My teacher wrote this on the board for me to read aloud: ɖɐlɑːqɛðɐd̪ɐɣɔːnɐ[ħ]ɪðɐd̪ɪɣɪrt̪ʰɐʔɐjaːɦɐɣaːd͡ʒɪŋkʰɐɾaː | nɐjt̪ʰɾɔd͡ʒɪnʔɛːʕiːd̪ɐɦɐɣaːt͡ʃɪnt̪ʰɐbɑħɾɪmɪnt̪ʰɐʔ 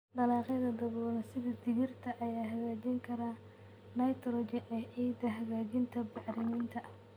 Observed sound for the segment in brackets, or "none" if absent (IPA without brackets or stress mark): s